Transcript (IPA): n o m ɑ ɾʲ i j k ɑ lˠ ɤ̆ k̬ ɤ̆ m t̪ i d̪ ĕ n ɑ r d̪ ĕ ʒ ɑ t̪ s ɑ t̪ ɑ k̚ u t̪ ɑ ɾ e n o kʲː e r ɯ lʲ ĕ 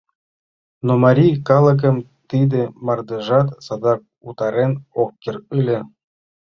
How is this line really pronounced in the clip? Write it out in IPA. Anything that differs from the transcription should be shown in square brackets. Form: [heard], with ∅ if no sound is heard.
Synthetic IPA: n o m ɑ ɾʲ i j k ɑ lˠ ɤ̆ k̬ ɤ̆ m t̪ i d̪ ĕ [m] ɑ r d̪ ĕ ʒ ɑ t̪ s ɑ [d̪] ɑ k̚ u t̪ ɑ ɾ e n o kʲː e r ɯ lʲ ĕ

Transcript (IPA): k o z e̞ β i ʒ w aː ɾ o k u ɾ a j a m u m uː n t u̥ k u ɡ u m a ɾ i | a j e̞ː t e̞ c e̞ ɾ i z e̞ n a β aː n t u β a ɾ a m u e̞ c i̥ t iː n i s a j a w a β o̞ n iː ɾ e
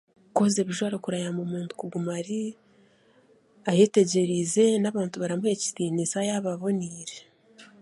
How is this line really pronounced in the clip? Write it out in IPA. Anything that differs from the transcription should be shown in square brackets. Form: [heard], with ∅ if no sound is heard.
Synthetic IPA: k o z e̞ β i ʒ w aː ɾ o k u ɾ a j a m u m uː n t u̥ k u ɡ u m a ɾ i | a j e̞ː t e̞ [ɟ] e̞ ɾ i z e̞ n a β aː n t u β a ɾ a m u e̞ c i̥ t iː n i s a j a [β] a β o̞ n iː ɾ e

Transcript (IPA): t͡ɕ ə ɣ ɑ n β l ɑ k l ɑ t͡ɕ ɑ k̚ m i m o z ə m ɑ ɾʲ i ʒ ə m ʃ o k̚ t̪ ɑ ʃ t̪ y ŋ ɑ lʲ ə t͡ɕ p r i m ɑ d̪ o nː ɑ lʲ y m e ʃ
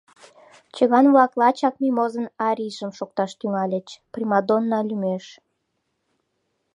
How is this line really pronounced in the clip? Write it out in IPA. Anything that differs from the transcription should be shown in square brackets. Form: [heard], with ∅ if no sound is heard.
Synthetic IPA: t͡ɕ ə ɣ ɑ n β l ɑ k l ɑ t͡ɕ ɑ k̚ m i m o z ə [n] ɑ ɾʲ i ʒ ə m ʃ o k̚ t̪ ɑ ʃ t̪ y ŋ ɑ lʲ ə t͡ɕ p r i m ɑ d̪ o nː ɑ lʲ y m e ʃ

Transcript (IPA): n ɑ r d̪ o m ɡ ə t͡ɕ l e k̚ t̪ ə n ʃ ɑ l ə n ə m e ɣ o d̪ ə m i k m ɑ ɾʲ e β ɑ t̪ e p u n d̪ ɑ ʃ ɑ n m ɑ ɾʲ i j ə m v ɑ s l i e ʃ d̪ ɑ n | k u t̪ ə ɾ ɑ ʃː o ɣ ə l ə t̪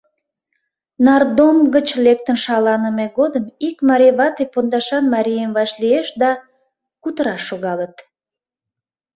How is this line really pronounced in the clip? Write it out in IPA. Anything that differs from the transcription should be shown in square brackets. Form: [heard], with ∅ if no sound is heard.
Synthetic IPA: n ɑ r d̪ o m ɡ ə t͡ɕ l e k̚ t̪ ə n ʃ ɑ l [ɑ] n ə m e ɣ o d̪ ə m i k m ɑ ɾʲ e β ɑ t̪ e p [o] n d̪ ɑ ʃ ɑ n m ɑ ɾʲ i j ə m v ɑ [ʃ] l i e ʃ d̪ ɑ [∅] | k u t̪ ə ɾ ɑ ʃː o ɣ [ɑ] l ə t̪

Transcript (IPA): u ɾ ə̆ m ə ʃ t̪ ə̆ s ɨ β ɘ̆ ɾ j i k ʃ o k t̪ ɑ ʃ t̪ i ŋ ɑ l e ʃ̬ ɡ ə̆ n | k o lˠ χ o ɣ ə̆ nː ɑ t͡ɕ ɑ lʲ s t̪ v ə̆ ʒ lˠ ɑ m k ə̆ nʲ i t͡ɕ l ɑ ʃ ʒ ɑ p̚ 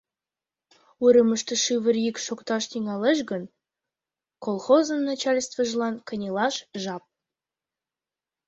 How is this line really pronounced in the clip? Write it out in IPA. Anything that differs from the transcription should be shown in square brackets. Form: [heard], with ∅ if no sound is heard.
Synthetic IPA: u ɾ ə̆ m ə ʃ t̪ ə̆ [ʃ] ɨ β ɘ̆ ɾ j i k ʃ o k t̪ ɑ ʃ t̪ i ŋ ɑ l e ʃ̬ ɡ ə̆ n | k o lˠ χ o [z] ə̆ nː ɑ t͡ɕ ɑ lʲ s t̪ v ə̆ ʒ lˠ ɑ [n] k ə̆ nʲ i [∅] l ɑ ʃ ʒ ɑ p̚

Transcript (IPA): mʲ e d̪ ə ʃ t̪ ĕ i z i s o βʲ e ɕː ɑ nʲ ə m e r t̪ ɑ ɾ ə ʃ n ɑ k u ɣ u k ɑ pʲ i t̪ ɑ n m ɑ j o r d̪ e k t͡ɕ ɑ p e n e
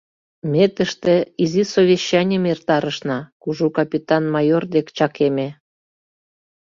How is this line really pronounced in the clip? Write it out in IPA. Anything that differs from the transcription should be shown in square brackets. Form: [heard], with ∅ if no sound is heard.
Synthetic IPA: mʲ e [t̪] ə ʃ t̪ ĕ i z i s o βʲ e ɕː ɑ nʲ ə m e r t̪ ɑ ɾ ə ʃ n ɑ k u [ʒ] u k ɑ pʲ i t̪ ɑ n m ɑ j o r d̪ e k t͡ɕ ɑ [k] e [m] e

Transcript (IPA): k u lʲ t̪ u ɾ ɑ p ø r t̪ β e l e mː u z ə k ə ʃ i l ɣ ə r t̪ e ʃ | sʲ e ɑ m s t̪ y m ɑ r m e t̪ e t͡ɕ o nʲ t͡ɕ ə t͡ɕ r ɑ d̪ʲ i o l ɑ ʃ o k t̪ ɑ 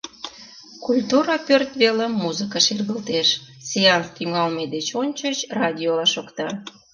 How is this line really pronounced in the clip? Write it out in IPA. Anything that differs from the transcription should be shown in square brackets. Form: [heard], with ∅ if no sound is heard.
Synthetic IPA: k u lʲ t̪ u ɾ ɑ p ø r t̪ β e l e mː u z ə k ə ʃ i [r] ɣ ə [l] t̪ e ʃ | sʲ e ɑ [n] s t̪ y [ŋ] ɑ [l] m e [d̪] e t͡ɕ o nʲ t͡ɕ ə t͡ɕ r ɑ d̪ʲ i o l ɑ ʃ o k t̪ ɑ

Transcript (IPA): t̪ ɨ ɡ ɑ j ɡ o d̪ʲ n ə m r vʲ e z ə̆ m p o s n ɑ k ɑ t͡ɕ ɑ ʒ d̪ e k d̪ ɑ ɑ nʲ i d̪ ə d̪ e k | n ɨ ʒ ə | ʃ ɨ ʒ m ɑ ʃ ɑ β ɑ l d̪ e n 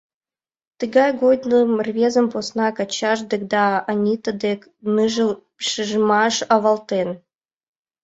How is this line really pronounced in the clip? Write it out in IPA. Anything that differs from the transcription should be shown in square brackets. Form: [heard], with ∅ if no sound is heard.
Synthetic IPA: t̪ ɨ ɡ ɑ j ɡ o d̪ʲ n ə m r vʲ e z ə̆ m p o s n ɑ k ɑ t͡ɕ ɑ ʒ d̪ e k d̪ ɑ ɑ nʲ i [t̪] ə d̪ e k | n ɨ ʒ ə | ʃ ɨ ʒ m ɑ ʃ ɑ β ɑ l [t̪] e n

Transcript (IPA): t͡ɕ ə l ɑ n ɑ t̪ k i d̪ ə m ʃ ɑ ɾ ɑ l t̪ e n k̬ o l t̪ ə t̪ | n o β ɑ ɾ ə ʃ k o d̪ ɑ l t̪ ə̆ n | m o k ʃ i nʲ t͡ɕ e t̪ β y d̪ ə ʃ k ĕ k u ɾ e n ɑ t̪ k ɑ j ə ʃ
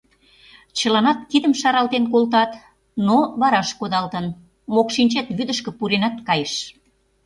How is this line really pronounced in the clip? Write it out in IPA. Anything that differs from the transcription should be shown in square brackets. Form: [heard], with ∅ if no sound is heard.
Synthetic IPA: t͡ɕ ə l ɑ n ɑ t̪ k i d̪ ə m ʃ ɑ ɾ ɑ l t̪ e n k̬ o l t̪ [ɑ] t̪ | n o β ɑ ɾ [ɑ] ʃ k o d̪ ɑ l t̪ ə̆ n | m o k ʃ i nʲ t͡ɕ e t̪ β y d̪ ə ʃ k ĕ [p] u ɾ e n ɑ t̪ k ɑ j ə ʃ

